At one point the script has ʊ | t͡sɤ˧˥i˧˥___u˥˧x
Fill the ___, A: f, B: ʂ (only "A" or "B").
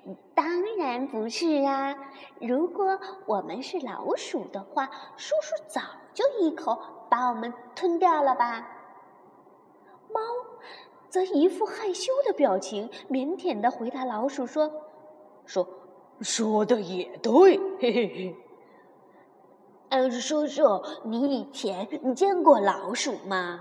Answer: A